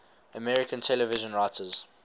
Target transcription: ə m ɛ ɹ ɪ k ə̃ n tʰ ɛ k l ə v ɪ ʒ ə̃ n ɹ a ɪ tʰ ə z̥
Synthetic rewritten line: ə m ɛ ɹ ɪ k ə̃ n tʰ ɛ l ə v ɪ ʒ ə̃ n ɹ a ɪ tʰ ə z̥